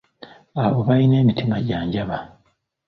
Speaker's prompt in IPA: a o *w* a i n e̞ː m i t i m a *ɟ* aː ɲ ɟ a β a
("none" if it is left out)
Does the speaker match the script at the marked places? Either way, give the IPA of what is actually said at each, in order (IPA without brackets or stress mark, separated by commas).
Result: β, ɟ